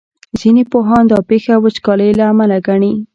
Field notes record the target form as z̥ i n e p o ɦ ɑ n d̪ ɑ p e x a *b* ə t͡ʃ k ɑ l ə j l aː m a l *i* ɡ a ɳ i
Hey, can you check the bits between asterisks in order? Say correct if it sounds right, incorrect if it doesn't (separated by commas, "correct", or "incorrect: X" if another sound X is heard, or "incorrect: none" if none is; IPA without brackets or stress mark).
incorrect: w, incorrect: a